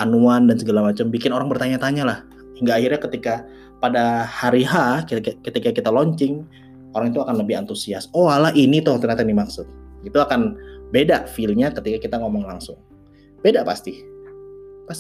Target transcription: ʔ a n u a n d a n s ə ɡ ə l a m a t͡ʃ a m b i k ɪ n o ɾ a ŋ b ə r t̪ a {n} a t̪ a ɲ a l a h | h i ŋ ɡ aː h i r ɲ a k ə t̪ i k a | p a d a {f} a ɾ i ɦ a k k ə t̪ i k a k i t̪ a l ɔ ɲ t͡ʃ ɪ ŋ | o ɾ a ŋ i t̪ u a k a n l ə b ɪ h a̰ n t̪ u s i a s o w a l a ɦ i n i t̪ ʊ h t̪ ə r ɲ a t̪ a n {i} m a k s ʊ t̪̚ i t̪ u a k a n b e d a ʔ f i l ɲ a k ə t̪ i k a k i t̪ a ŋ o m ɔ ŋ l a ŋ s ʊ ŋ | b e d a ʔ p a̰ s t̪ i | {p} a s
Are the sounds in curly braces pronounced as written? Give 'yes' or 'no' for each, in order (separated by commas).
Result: no, no, yes, yes